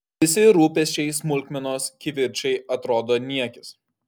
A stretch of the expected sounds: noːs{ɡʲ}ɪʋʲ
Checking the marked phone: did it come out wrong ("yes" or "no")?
yes